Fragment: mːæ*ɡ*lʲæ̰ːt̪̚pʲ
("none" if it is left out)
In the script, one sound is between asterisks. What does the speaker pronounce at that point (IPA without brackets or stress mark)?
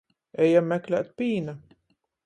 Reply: k